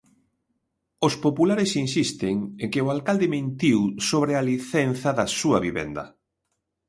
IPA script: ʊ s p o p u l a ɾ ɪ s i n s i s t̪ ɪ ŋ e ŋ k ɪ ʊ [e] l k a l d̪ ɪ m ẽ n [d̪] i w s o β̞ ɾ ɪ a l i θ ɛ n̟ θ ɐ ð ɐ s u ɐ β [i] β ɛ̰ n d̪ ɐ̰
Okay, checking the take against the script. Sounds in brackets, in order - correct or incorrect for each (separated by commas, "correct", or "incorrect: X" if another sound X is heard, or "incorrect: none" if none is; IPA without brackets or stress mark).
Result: incorrect: a, incorrect: t̪, correct